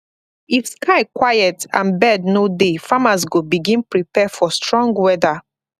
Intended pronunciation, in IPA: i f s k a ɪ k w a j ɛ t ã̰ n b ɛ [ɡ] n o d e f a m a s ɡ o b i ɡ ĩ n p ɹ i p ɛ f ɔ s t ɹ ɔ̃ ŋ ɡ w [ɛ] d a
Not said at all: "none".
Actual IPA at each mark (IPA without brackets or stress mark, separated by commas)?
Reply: d, ɛ